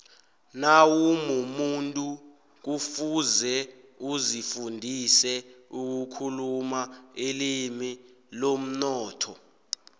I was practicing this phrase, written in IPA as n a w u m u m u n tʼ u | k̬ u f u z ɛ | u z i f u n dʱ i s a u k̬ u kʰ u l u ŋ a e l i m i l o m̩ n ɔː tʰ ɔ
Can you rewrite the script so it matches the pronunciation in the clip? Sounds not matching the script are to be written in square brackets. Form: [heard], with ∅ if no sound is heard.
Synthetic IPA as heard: n a w u m u m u n tʼ u | k̬ u f u z ɛ | u z i f u n dʱ i s [ɛ] u k̬ u kʰ u l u [m] a e l i m i l o m̩ n ɔː tʰ ɔ